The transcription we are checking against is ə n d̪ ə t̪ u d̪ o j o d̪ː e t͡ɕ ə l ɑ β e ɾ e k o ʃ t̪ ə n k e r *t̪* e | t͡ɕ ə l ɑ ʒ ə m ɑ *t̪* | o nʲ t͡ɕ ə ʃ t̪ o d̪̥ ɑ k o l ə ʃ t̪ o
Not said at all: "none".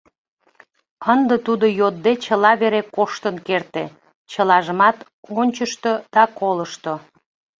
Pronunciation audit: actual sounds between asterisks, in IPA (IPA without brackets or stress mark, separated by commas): t̪, t̪